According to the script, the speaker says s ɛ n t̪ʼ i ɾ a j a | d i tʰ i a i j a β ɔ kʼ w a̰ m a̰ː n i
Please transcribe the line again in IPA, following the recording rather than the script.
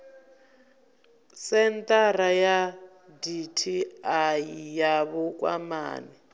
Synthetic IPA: s ɛ n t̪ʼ a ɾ a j a | d i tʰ i a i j a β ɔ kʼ w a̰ m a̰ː n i